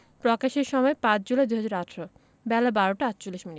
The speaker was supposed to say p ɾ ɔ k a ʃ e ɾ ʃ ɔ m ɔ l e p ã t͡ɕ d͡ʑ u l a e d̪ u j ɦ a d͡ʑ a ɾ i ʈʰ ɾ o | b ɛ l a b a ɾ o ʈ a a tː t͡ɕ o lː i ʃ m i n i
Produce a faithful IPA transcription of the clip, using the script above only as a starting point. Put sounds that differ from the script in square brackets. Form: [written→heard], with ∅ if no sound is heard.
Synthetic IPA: p ɾ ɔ k a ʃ e ɾ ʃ ɔ m ɔ [l→∅] e p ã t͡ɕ d͡ʑ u l a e d̪ u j ɦ a d͡ʑ a ɾ [i→a] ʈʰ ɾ o | b ɛ l a b a ɾ o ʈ a a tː t͡ɕ o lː i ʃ m i n i